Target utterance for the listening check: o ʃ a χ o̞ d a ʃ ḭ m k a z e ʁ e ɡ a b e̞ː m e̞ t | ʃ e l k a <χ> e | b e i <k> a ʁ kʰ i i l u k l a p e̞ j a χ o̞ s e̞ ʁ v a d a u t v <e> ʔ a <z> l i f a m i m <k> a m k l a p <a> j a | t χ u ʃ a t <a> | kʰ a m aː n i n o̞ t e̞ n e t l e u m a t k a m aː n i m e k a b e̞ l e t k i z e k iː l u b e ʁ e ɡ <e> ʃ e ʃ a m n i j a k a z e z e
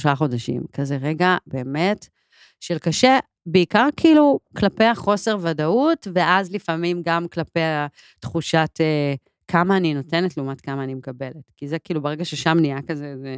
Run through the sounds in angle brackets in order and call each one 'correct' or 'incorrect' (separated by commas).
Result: incorrect, correct, correct, correct, incorrect, incorrect, incorrect, incorrect